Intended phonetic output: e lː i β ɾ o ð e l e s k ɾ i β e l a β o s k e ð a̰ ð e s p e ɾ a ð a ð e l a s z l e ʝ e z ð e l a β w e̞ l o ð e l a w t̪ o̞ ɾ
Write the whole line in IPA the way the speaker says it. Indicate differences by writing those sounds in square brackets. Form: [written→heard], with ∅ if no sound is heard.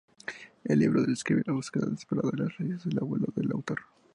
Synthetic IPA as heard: e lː i β ɾ o ð e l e s k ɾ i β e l a β [o→u] s k e ð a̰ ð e s p e ɾ a ð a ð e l a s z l e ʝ e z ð e l a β w e̞ l o ð e l a w t̪ o̞ ɾ